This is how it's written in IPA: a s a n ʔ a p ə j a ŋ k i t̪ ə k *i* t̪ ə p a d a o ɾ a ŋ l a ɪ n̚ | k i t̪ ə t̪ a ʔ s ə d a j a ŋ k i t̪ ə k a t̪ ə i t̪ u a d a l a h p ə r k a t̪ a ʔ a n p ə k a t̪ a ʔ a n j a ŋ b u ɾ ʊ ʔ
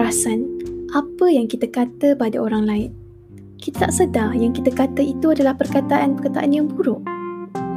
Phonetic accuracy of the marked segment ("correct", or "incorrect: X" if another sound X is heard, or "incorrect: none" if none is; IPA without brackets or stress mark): incorrect: a